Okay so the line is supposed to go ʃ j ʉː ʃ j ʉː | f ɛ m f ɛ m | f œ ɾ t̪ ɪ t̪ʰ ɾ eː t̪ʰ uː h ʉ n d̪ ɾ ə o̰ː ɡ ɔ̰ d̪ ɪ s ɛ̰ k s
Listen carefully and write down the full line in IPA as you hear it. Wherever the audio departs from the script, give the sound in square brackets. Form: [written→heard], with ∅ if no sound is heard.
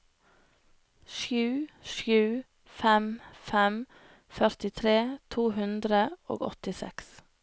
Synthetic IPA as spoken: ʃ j ʉː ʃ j ʉː | f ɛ m f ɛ m | f œ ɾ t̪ ɪ t̪ʰ ɾ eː t̪ʰ uː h ʉ n d̪ ɾ ə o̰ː ɡ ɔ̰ [d̪→t̪] ɪ s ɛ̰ k s